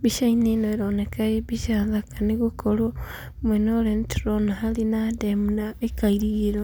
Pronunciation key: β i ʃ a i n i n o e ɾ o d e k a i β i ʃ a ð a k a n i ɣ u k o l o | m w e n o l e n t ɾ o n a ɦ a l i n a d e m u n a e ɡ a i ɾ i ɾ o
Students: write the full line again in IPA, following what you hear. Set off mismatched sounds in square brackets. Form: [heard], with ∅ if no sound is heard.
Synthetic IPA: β i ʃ a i n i n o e ɾ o [n] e k a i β i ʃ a ð a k a n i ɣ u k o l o | m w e n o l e n t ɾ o n a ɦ a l i n a d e m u n a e [k] a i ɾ i ɾ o